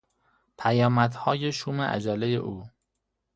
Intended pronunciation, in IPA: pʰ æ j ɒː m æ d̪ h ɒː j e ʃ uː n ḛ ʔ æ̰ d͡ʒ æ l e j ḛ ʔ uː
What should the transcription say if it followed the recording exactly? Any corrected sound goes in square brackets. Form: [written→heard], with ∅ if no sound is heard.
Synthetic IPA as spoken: pʰ æ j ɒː m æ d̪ h ɒː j e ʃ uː [n→m] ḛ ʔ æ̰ d͡ʒ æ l e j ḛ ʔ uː